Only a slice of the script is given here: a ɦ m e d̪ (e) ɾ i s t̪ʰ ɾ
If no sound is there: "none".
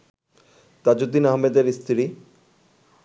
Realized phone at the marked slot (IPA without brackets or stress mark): e